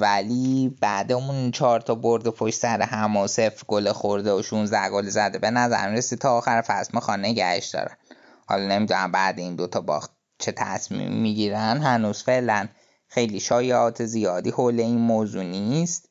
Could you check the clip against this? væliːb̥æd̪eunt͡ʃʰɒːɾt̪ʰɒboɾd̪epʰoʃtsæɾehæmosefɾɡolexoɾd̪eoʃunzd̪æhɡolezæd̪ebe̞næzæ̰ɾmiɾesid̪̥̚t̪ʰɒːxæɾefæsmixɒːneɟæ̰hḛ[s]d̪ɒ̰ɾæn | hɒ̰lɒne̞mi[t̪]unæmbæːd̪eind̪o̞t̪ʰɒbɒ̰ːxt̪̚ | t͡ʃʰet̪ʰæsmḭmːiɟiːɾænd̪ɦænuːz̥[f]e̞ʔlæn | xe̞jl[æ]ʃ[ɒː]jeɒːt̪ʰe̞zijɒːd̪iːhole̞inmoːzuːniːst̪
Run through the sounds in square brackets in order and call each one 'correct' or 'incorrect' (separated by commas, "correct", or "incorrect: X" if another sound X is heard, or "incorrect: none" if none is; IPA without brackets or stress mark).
incorrect: ʃ, incorrect: d̪, correct, incorrect: i, correct